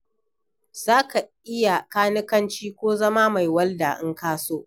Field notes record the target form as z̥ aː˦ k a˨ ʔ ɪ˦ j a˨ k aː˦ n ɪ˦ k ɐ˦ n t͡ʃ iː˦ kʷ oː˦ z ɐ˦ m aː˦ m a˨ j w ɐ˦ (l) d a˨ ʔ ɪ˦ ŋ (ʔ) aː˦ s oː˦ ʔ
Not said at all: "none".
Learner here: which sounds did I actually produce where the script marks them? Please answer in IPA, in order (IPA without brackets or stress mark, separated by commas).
l, k